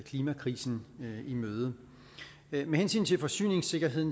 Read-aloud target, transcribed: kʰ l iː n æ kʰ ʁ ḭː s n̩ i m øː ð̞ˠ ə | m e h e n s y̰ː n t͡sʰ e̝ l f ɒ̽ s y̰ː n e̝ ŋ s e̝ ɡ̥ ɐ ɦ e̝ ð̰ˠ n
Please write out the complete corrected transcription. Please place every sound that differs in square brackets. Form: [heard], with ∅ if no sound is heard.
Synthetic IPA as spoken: kʰ l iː [m] æ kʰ ʁ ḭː s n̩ i m øː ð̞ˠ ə | m e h e n s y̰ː n t͡sʰ e̝ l f ɒ̽ s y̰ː n e̝ ŋ s e̝ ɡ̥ ɐ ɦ e̝ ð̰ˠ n

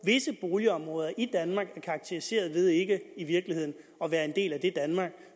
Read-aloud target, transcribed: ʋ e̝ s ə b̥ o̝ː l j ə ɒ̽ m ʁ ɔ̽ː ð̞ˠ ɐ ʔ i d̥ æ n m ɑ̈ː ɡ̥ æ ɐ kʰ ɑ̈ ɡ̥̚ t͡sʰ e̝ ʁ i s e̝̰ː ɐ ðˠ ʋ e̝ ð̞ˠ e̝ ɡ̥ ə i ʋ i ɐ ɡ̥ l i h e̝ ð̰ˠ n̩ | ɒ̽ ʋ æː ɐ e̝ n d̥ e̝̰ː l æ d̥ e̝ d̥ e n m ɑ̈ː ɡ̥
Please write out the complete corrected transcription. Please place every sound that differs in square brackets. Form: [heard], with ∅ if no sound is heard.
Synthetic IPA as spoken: ʋ e̝ s ə b̥ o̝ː l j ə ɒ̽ m ʁ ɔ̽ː ð̞ˠ ɐ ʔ i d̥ æ n m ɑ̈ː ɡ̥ æ ɐ kʰ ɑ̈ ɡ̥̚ t͡sʰ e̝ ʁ i s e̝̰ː ɐ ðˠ ʋ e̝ ð̞ˠ e̝ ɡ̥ ə i ʋ i ɐ ɡ̥ l i h e̝ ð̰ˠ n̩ | ɒ̽ ʋ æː ɐ e̝ n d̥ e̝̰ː l æ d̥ e̝ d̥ [æ] n m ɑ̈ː ɡ̥

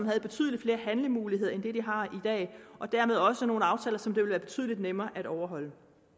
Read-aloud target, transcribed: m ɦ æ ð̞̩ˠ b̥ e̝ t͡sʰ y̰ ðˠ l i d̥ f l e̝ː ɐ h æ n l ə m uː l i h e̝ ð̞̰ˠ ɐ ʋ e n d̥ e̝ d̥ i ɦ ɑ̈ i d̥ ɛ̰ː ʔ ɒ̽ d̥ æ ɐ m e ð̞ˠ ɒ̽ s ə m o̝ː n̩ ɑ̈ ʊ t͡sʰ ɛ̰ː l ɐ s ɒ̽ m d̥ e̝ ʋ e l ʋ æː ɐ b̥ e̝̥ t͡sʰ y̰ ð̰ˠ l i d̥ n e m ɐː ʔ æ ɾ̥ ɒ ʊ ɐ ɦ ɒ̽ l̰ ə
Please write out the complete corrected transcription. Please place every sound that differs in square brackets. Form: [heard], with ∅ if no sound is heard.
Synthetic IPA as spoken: m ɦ æ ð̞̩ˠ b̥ e̝ t͡sʰ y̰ ðˠ l i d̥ f l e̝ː ɐ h æ n l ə m uː l i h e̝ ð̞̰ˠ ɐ [∅] e n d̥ e̝ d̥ i ɦ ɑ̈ i d̥ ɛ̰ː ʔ ɒ̽ d̥ æ ɐ m e ð̞ˠ ɒ̽ s ə [n] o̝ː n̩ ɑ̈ ʊ t͡sʰ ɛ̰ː l ɐ s ɒ̽ m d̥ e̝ ʋ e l ʋ æː ɐ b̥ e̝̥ t͡sʰ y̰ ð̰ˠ l i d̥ n e m ɐː ʔ æ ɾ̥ ɒ ʊ ɐ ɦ ɒ̽ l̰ ə

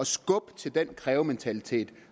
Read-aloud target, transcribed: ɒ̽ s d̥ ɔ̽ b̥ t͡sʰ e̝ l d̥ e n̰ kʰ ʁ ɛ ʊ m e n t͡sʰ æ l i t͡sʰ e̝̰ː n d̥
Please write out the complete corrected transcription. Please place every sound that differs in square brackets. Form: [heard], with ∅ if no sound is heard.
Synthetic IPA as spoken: ɒ̽ s [ɡ̥] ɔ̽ b̥ t͡sʰ e̝ l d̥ e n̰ kʰ ʁ [ɛː] ʊ m e n t͡sʰ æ l i t͡sʰ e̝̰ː [∅] d̥

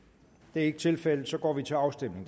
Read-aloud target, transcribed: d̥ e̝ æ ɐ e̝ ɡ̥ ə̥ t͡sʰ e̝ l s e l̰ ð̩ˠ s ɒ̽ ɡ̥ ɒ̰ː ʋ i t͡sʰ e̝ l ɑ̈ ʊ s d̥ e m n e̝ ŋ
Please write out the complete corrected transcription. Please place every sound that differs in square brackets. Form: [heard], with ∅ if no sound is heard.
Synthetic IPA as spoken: d̥ e̝ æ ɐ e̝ ɡ̥ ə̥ t͡sʰ e̝ l [f] e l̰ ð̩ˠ s ɒ̽ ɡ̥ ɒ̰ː ʋ i t͡sʰ e̝ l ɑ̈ ʊ s d̥ e m n e̝ ŋ

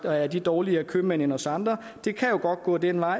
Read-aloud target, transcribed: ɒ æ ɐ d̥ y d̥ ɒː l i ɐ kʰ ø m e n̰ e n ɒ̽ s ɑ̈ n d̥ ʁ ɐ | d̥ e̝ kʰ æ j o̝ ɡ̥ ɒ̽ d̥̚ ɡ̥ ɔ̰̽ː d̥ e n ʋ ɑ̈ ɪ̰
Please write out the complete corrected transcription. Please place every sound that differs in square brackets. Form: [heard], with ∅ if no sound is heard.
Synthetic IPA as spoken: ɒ æ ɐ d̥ [i] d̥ ɒː l i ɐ kʰ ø m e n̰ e n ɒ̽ s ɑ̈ n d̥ ʁ ɐ | d̥ e̝ kʰ æ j o̝ ɡ̥ ɒ̽ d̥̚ ɡ̥ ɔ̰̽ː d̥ e n ʋ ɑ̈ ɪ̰

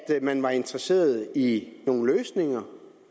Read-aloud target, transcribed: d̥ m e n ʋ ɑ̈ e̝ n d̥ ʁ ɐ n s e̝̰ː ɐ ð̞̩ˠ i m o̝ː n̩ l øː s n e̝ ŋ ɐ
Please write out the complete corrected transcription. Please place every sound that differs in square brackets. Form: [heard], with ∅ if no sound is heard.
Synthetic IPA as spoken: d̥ m [æ] n ʋ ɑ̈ e̝ n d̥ ʁ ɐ [∅] s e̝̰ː ɐ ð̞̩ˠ i [n] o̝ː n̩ l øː s n e̝ ŋ ɐ

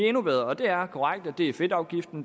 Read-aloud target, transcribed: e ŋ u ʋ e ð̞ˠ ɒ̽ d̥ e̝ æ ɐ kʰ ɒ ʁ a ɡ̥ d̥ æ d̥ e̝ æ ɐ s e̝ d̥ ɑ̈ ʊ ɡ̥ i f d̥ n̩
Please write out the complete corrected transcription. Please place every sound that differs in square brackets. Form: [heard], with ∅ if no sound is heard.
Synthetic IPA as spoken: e [n] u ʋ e ð̞ˠ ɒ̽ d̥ e̝ æ ɐ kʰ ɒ ʁ a ɡ̥ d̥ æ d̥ e̝ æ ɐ [f] e̝ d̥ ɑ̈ ʊ ɡ̥ i f d̥ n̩

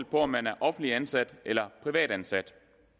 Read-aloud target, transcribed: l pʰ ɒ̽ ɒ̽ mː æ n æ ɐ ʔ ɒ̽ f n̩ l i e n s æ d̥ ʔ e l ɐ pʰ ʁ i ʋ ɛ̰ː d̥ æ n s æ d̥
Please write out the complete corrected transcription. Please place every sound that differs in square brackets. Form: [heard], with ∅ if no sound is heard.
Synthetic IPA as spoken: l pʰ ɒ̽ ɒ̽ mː æ n æ ɐ ʔ ɒ̽ f n̩ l i [æ] n s æ d̥ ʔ e l ɐ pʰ ʁ i ʋ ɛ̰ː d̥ æ n s æ d̥

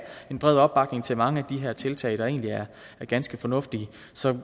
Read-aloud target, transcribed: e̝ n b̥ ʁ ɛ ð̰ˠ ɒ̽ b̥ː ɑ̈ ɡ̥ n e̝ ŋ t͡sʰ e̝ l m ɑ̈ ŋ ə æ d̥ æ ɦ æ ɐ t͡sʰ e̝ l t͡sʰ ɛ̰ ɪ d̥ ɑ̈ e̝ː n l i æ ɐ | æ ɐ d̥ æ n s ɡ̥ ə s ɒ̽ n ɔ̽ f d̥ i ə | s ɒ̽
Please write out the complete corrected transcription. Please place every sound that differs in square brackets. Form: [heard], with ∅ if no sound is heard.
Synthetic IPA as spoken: e̝ n b̥ ʁ ɛ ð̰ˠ ɒ̽ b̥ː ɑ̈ ɡ̥ n e̝ ŋ t͡sʰ e̝ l m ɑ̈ ŋ ə æ d̥ [i] ɦ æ ɐ t͡sʰ e̝ l t͡sʰ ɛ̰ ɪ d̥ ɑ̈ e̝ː n l i æ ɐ | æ ɐ [ɡ̥] æ n s ɡ̥ ə [f] ɒ̽ n ɔ̽ f d̥ i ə | s ɒ̽

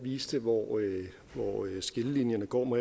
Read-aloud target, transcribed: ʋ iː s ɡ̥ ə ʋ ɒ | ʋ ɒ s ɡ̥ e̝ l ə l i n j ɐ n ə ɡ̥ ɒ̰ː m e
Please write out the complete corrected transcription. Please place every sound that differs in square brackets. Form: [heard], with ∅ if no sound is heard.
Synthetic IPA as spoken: ʋ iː s [d̥] ə ʋ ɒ | ʋ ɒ s ɡ̥ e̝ l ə l i n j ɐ n ə ɡ̥ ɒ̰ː m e

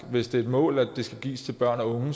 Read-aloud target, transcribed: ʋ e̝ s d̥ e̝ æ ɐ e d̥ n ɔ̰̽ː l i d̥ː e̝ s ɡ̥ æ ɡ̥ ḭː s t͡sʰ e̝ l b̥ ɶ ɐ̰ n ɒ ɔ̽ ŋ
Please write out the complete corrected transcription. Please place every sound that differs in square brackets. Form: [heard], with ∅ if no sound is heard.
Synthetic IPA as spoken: ʋ e̝ s d̥ e̝ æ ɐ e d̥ [m] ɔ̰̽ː l [æ] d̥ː e̝ s ɡ̥ æ ɡ̥ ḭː s t͡sʰ e̝ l b̥ ɶ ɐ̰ n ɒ ɔ̽ ŋ

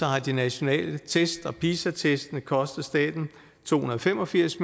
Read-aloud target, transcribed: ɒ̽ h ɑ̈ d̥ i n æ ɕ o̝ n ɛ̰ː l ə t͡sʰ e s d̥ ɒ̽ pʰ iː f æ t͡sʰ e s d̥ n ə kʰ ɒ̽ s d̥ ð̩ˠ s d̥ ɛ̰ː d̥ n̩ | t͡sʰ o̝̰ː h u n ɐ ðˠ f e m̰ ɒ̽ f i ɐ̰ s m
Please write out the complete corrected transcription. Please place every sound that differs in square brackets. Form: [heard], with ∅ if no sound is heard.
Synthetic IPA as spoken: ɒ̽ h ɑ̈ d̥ i n æ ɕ o̝ n ɛ̰ː l ə t͡sʰ e s d̥ ɒ̽ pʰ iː [s] æ t͡sʰ e s d̥ n ə kʰ ɒ̽ s d̥ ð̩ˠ s d̥ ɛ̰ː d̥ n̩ | t͡sʰ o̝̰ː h u n ɐ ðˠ f e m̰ ɒ̽ f i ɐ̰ s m

